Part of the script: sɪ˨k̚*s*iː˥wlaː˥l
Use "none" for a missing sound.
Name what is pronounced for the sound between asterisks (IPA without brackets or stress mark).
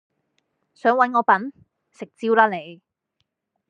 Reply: t͡s